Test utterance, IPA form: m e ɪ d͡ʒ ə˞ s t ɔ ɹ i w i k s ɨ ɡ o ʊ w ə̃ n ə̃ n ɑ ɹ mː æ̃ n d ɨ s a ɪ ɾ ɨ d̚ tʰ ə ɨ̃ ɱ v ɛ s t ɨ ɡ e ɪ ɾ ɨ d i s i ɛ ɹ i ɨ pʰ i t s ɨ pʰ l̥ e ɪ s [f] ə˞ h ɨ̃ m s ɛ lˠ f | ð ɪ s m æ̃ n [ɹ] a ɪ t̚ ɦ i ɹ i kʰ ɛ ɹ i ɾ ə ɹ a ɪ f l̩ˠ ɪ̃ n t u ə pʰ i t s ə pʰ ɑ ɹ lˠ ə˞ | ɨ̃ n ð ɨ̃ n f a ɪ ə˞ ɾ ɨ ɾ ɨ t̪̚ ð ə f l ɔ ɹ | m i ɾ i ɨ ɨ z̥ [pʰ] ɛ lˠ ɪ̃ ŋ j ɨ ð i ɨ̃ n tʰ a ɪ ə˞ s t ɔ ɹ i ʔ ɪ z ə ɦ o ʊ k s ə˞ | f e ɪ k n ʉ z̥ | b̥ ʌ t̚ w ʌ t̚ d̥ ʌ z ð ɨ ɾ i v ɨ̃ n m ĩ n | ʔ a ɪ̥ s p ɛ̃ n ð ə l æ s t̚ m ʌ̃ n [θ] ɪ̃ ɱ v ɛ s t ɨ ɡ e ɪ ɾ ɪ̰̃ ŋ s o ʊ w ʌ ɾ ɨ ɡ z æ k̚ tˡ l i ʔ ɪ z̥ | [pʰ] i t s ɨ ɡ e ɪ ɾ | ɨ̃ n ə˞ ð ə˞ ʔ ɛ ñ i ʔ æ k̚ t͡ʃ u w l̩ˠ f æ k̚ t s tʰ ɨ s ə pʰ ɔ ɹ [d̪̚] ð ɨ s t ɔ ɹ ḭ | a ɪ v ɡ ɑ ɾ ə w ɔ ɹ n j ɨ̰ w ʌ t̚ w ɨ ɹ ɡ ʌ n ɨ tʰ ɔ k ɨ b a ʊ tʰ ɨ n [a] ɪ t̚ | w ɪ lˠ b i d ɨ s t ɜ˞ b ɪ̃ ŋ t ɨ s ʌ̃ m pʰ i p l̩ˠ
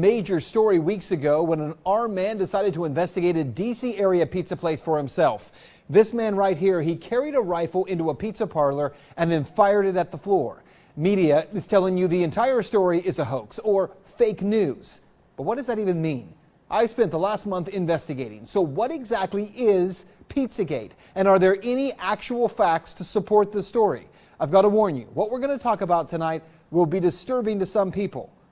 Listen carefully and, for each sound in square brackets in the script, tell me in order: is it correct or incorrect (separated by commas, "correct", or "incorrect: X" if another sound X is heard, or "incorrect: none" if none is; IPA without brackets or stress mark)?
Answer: correct, correct, incorrect: tʰ, correct, correct, incorrect: t̪̚, correct